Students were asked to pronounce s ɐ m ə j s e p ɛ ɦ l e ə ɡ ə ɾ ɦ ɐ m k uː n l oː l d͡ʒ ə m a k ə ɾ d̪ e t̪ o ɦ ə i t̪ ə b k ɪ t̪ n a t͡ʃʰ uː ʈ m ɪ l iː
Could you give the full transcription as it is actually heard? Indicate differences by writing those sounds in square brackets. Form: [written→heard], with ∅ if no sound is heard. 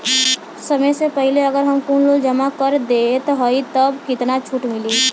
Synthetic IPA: s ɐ m ə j s e p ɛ ɦ l e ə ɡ ə ɾ ɦ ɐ m k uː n l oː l d͡ʒ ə m a k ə ɾ d̪ e t̪ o ɦ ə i t̪ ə b k ɪ t̪ n a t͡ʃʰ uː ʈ m ɪ l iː